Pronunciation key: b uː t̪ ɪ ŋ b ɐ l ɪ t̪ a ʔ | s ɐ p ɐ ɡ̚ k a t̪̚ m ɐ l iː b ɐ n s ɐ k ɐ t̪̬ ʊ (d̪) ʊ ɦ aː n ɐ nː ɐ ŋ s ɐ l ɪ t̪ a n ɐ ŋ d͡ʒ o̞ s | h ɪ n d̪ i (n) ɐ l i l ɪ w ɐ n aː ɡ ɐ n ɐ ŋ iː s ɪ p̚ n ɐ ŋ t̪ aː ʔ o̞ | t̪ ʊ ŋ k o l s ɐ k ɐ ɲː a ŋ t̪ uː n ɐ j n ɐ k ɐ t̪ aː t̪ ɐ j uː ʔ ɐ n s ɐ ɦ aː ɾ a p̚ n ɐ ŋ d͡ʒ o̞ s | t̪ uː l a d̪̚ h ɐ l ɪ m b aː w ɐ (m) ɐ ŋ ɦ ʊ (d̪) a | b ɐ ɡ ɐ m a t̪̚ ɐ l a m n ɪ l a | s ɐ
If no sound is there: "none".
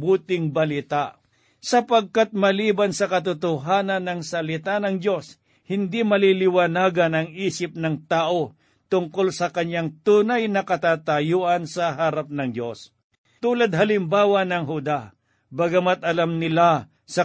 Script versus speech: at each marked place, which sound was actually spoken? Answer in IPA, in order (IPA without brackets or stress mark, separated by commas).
t̪, m, n, d̪